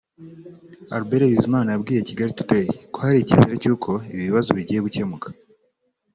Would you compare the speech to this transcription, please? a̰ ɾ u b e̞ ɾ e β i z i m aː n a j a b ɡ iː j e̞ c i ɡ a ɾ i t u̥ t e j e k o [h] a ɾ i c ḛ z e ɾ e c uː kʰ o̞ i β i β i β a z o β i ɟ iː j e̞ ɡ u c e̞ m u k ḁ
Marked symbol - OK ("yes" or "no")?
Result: yes